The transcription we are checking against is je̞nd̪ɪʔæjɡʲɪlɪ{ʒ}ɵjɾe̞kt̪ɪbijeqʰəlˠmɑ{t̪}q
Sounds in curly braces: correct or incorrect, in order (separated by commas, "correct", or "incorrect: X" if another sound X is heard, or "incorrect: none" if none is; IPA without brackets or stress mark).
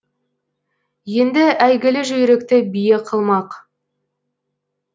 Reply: correct, incorrect: none